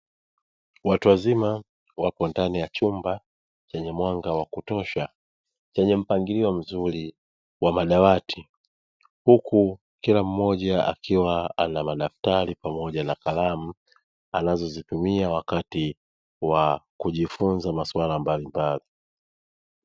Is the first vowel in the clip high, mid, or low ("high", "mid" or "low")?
low